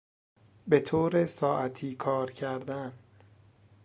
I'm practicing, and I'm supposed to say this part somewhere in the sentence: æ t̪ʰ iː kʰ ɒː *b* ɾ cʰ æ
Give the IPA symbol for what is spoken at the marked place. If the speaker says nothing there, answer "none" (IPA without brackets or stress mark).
none